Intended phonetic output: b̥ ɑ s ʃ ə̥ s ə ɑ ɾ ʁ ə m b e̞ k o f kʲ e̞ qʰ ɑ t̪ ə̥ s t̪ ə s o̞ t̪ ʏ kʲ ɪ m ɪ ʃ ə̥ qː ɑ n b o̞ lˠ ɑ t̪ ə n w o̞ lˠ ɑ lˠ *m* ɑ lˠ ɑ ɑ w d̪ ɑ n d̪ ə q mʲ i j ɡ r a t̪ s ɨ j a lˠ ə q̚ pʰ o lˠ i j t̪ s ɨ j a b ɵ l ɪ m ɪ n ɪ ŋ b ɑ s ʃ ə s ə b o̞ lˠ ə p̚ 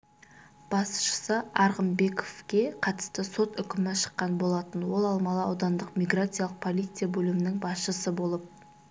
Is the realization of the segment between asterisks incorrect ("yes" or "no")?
no